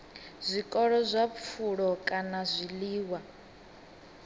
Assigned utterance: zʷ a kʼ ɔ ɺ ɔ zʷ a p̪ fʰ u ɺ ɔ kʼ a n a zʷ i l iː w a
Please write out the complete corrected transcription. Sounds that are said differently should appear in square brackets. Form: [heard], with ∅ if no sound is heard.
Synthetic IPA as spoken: zʷ [i] kʼ ɔ ɺ ɔ zʷ a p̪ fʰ u ɺ ɔ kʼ a n a zʷ i l iː w a